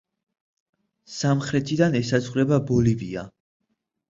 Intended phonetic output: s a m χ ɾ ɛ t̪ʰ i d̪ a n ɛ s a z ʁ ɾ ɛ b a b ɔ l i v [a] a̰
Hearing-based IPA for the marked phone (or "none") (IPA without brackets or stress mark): i